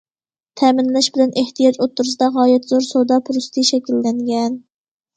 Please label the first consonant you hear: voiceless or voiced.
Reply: voiceless